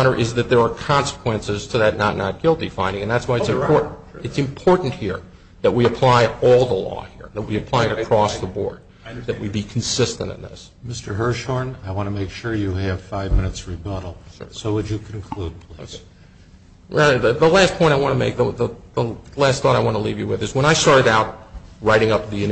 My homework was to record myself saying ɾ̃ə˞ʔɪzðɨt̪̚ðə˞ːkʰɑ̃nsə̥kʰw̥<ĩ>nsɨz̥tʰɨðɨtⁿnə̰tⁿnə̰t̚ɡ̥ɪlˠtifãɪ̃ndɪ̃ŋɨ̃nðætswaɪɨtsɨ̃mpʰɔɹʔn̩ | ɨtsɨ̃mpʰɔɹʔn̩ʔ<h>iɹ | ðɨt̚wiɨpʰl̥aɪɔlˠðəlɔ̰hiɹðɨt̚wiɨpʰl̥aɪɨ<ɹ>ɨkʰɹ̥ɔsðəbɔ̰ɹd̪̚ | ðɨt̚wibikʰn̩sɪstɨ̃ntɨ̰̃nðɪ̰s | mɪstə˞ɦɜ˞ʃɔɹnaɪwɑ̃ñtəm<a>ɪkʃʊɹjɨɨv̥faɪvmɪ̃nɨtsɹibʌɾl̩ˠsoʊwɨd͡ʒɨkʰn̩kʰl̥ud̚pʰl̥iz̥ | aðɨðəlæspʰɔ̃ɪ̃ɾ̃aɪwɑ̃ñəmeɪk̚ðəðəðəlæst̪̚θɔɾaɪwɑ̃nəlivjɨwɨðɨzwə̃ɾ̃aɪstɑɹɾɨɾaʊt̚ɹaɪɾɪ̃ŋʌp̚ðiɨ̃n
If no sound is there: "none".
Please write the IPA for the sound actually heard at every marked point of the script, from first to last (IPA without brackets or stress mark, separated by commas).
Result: ɛ̃, h, ɾ, e